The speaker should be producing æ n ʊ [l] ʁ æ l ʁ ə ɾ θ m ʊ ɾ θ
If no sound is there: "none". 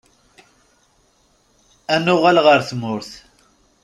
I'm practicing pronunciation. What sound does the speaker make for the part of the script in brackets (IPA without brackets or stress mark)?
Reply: none